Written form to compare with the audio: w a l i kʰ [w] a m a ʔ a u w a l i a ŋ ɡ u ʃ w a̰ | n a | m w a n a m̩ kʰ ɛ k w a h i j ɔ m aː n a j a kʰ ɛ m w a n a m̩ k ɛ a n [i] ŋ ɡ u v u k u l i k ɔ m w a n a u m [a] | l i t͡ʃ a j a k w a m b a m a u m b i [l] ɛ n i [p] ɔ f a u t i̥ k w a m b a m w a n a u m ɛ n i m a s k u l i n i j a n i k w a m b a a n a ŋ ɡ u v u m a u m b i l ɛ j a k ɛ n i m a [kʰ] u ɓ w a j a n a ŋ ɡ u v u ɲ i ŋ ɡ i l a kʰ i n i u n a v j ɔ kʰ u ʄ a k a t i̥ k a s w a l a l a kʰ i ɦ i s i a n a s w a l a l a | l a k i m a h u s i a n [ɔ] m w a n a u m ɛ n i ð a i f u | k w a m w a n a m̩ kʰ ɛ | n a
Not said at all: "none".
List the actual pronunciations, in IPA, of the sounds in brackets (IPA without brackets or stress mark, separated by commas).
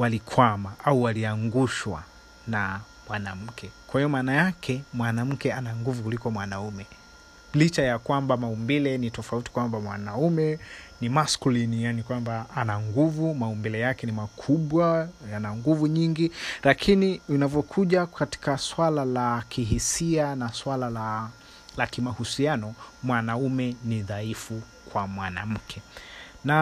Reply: w, a, ɛ, l, t, kʰ, ɔ